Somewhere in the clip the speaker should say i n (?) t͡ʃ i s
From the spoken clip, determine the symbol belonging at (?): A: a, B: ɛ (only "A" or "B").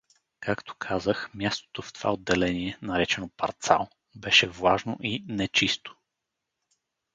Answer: B